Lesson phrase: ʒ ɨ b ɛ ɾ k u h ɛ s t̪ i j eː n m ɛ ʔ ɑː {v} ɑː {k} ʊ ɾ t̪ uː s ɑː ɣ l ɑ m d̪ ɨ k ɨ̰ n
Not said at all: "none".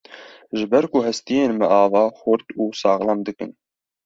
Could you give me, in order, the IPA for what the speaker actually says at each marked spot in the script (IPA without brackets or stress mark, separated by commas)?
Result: v, x